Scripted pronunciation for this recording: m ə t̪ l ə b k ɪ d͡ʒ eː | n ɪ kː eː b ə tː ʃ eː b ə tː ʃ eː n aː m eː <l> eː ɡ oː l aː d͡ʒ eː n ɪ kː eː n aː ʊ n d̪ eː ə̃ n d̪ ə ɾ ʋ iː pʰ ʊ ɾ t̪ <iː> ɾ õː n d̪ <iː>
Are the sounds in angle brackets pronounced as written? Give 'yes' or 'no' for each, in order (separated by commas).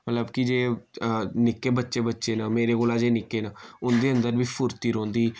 no, yes, yes